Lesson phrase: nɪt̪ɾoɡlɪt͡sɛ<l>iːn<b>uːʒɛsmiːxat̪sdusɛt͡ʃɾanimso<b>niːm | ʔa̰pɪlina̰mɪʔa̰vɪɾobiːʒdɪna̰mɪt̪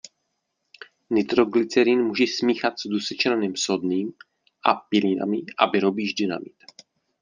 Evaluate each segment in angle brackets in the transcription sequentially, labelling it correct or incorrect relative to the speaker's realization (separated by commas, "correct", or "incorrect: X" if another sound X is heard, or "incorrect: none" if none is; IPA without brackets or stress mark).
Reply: incorrect: ɾ, incorrect: m, incorrect: d